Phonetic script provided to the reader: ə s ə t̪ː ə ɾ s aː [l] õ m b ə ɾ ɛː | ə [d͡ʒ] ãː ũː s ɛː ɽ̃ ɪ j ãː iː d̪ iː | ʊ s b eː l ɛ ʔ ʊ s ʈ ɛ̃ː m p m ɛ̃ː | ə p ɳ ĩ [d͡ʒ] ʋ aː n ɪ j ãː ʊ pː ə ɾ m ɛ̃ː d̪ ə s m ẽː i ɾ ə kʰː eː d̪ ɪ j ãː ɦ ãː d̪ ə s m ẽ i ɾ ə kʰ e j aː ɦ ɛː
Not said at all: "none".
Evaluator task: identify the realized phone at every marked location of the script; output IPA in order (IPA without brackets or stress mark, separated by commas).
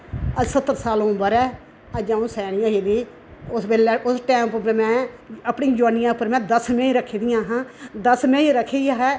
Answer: l, d͡ʒ, d͡ʒ